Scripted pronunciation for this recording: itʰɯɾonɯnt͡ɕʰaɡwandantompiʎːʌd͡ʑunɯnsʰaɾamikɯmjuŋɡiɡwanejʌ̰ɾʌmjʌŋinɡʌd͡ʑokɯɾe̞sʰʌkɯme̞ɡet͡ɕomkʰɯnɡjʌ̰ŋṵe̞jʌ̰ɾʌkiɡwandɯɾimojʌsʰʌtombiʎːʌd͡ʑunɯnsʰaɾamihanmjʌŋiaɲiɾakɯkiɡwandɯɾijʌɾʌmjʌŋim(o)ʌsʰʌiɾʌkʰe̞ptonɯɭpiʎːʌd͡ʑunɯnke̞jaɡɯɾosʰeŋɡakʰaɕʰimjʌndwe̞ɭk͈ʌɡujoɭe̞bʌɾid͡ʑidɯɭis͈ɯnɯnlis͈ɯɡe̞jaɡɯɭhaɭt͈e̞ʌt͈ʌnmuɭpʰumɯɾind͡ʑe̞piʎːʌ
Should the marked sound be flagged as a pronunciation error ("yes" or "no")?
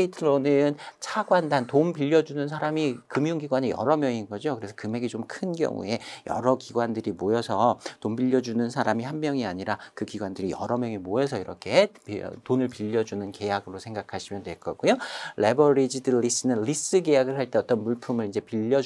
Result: no